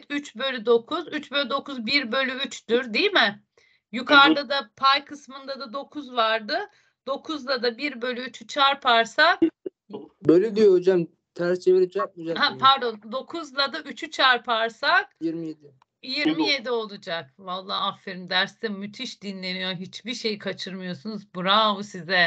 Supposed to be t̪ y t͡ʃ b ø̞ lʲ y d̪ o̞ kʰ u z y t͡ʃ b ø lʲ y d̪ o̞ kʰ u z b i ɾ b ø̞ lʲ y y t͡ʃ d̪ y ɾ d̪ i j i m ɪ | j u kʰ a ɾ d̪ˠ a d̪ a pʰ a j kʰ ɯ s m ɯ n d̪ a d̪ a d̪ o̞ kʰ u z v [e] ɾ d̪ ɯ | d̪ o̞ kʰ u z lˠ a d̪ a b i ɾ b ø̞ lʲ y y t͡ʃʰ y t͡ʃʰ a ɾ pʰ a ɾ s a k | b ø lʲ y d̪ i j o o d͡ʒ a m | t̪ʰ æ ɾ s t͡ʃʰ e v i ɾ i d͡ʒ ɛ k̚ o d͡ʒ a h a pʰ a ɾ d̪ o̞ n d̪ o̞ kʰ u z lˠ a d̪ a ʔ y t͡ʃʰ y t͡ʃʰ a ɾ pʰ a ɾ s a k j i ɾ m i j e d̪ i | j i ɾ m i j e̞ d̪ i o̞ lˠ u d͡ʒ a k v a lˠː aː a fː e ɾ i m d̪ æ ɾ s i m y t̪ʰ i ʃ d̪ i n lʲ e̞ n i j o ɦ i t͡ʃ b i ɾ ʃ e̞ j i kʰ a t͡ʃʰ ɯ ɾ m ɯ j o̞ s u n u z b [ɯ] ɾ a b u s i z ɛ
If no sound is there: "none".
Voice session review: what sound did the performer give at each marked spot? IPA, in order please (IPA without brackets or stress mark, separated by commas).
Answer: a, u